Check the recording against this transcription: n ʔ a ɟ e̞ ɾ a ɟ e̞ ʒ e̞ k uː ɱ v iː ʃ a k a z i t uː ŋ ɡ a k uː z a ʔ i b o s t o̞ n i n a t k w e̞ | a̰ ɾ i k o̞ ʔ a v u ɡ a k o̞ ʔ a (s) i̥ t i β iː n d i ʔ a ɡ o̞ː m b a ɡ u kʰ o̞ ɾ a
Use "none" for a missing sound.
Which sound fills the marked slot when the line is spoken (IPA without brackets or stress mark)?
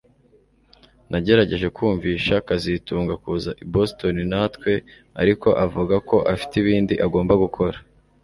f